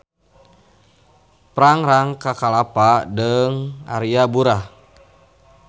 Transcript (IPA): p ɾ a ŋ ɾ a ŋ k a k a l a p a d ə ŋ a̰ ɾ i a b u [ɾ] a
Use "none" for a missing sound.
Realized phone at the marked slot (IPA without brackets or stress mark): ɾ